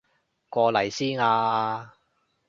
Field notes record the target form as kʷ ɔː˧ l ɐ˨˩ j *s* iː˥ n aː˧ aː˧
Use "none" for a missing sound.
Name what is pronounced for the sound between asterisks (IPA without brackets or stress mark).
s